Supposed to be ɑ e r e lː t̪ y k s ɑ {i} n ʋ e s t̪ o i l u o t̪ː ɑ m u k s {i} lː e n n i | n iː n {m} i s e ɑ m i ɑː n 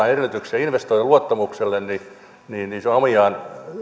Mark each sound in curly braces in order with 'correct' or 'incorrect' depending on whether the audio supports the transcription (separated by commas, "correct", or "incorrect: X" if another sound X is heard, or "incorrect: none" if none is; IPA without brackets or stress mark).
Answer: correct, incorrect: e, incorrect: n